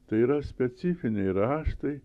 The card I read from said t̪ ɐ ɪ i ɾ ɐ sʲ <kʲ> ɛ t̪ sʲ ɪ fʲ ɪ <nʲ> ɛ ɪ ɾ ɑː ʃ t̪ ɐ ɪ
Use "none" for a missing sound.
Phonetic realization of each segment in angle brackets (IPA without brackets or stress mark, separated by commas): pʲ, nʲ